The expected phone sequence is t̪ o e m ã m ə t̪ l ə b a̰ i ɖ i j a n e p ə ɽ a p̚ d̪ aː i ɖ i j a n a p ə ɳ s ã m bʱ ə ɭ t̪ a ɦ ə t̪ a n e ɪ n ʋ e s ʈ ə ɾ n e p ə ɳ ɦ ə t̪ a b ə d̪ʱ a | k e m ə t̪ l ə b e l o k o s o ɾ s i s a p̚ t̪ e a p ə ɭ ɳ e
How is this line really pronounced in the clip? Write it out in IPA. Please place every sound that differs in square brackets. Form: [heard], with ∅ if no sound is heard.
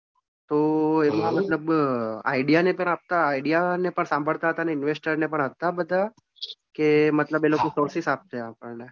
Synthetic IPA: t̪ o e m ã m ə t̪ l ə b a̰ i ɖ i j a n e p ə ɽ a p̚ [t̪] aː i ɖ i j a n [e] p ə ɳ s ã m bʱ ə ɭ t̪ a ɦ ə t̪ a n e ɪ n ʋ e s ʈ ə ɾ n e p ə ɳ ɦ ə t̪ a b ə d̪ʱ a | k e m ə t̪ l ə b e l o k o s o ɾ s i s a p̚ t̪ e a p ə ɭ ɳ e